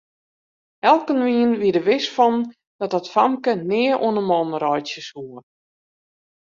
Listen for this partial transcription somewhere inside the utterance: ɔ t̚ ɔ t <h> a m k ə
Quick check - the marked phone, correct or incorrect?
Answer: incorrect